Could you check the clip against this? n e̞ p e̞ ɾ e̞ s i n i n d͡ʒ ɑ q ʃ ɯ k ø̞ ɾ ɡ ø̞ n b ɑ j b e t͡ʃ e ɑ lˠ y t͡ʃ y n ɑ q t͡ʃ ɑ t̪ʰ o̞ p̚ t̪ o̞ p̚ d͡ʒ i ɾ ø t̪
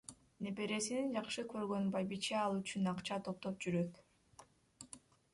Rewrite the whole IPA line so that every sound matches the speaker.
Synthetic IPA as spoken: n e̞ p e̞ ɾ e̞ s i n i n d͡ʒ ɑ q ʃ ɯ k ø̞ ɾ ɡ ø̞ n b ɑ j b i t͡ʃ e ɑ lˠ y t͡ʃ y n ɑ q t͡ʃ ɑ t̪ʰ o̞ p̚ t̪ o̞ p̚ d͡ʒ y ɾ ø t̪